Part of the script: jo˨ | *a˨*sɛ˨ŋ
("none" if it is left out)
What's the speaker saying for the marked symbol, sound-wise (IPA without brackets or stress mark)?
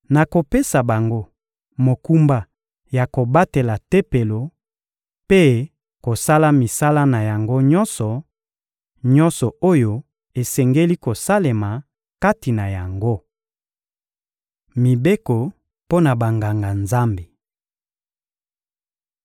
e˨